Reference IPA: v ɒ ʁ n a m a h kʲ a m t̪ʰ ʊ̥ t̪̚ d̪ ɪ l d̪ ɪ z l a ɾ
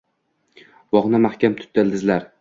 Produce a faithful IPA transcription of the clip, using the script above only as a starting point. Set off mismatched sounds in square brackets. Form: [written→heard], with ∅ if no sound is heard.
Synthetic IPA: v ɒ ʁ n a m a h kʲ a m t̪ʰ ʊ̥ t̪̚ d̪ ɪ l d̪ ɪ z l a ɾ